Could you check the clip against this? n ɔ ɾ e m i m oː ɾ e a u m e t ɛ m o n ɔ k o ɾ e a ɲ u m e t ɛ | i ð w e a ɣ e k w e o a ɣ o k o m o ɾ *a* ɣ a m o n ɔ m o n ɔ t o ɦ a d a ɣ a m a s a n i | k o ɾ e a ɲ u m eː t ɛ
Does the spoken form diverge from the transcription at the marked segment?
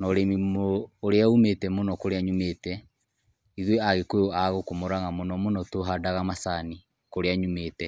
no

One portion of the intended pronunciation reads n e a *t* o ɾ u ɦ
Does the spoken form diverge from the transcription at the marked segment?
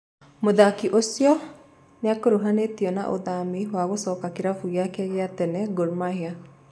yes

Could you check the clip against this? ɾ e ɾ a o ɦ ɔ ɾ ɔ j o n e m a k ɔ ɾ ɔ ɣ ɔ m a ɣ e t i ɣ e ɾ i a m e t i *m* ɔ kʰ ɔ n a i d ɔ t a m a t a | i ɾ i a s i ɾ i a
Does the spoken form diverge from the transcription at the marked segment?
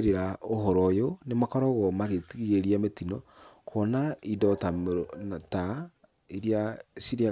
yes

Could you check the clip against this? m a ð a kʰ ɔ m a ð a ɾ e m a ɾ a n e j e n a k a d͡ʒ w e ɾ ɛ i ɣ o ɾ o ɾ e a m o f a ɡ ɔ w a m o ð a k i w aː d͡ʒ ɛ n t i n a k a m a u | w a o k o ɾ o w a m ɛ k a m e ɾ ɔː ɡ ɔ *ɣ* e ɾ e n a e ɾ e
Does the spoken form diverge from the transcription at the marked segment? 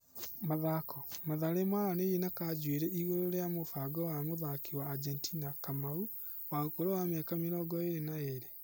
yes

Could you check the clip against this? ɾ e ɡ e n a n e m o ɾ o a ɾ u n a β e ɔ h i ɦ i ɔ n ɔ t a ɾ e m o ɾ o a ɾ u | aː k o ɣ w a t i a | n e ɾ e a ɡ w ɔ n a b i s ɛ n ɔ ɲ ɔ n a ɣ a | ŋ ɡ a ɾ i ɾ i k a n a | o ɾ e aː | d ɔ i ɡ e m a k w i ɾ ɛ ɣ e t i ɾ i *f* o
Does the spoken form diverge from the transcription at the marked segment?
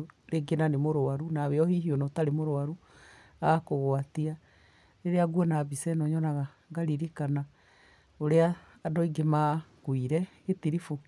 no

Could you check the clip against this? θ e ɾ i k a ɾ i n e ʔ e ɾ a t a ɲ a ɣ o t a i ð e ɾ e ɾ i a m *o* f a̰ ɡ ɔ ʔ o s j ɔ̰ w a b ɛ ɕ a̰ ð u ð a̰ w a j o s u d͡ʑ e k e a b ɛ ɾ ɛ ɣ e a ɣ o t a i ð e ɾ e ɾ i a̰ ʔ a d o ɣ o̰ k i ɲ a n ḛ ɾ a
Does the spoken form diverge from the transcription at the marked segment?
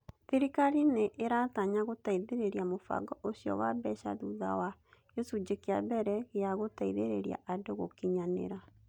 no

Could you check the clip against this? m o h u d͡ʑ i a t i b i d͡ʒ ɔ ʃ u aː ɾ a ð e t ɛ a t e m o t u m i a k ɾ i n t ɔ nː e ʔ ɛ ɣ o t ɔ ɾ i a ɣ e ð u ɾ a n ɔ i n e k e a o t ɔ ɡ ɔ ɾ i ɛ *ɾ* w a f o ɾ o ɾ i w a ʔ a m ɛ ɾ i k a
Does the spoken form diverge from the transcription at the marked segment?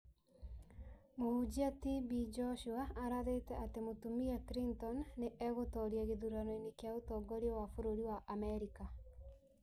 yes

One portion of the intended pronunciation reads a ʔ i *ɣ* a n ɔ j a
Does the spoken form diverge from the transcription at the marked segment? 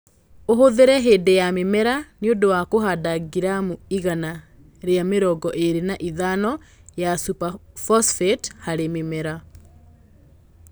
yes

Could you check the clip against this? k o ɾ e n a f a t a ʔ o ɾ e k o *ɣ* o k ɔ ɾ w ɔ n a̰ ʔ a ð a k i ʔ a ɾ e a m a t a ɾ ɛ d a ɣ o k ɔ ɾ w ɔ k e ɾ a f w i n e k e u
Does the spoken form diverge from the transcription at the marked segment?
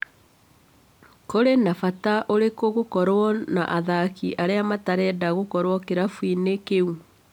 no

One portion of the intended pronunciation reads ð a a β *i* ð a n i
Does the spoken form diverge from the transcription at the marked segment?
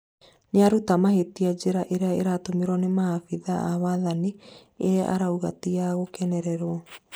yes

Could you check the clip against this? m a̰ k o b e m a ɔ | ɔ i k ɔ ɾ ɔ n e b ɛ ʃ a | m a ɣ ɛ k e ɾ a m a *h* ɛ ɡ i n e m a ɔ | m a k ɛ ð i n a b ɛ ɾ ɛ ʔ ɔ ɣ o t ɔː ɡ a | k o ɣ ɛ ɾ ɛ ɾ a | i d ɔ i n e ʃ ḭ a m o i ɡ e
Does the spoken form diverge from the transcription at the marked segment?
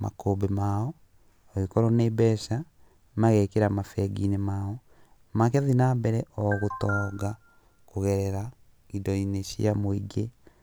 yes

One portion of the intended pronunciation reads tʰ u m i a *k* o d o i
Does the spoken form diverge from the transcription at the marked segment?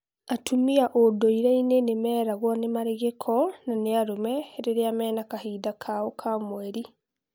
yes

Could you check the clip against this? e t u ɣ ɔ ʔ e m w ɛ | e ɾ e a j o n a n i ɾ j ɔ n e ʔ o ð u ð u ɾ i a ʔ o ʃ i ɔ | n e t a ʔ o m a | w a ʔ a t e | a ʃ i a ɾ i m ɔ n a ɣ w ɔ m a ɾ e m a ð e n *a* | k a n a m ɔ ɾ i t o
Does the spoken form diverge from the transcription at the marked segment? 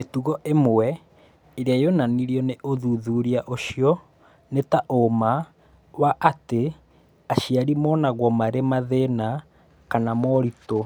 no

